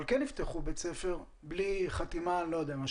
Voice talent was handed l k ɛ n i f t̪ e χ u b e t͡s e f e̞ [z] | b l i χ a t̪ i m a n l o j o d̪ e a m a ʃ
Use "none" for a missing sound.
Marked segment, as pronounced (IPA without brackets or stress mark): ʁ